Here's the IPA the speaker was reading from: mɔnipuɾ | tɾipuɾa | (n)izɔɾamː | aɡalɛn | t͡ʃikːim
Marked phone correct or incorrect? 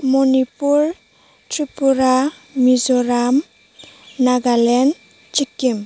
incorrect